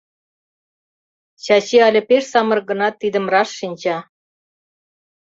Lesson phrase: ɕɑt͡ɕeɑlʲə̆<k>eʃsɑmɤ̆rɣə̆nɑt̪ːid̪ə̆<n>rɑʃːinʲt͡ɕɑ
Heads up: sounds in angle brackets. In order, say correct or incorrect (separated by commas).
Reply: incorrect, incorrect